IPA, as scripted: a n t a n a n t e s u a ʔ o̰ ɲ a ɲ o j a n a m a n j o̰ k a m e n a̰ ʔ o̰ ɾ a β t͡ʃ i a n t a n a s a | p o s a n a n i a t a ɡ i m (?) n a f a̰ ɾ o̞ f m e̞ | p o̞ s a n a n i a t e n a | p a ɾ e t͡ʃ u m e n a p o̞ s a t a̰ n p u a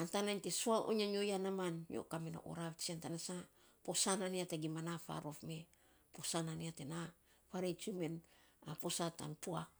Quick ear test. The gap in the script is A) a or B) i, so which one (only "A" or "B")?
A